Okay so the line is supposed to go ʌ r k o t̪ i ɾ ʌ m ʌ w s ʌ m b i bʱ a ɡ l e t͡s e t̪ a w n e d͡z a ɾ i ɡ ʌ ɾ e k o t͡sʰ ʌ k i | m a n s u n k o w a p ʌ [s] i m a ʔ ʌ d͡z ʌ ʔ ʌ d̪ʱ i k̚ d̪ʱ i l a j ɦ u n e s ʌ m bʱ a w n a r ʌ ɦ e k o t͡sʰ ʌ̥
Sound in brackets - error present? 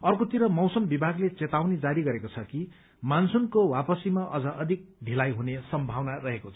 no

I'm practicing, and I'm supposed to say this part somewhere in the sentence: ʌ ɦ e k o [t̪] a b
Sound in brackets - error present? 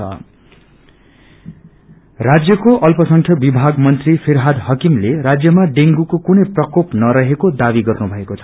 yes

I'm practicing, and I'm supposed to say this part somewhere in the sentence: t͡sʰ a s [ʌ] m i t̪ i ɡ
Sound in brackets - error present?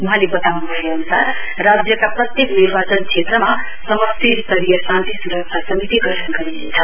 no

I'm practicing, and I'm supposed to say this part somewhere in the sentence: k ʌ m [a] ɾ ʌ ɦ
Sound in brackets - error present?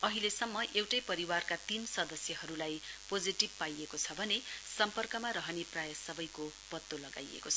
no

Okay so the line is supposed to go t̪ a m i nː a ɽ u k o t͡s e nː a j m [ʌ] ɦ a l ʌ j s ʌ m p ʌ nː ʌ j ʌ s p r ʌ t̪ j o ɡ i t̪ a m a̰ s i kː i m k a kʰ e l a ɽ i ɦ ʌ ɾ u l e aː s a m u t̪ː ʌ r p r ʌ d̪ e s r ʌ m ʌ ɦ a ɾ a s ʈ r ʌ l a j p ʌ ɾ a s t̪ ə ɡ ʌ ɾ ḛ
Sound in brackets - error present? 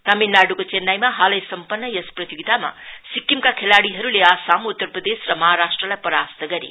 yes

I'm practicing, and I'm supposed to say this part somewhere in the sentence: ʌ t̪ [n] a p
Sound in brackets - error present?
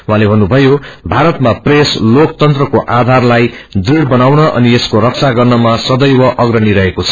yes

